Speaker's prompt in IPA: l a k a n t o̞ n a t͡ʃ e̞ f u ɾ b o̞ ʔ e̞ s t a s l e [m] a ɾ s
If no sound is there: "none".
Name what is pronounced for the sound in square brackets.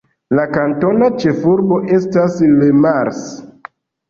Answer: m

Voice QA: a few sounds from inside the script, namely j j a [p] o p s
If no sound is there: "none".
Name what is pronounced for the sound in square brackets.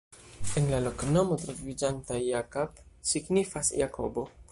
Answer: k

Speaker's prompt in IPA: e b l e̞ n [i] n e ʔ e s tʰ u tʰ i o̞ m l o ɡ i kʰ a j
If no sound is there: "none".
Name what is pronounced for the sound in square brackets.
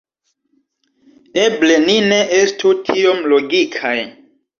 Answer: i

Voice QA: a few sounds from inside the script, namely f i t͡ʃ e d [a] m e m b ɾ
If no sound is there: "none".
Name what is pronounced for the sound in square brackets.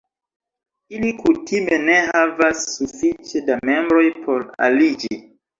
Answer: a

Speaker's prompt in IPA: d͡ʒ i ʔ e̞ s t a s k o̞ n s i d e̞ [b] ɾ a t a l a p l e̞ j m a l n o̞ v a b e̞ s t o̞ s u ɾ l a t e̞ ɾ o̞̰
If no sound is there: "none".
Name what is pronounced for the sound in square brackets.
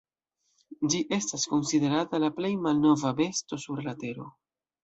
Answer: none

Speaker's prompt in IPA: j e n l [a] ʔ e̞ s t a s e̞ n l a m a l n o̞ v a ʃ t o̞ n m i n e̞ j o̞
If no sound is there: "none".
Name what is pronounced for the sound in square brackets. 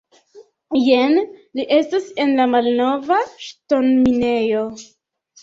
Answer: i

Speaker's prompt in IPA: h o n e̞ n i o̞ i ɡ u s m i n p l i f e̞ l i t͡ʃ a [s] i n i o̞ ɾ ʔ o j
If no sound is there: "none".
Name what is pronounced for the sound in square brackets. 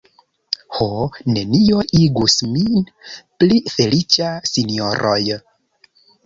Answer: s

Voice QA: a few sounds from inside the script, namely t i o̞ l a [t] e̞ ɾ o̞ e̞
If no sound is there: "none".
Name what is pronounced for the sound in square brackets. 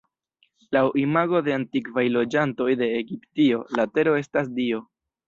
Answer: t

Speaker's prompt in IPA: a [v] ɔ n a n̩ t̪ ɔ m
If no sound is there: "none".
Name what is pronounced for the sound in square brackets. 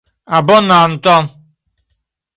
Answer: b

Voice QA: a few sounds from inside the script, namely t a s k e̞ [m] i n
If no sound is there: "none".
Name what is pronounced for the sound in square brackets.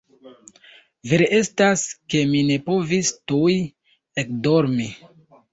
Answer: m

